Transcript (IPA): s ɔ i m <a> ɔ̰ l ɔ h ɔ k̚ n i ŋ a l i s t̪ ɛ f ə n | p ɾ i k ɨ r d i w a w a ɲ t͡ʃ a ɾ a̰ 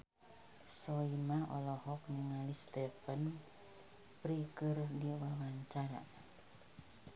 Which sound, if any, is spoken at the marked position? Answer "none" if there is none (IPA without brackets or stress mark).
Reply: a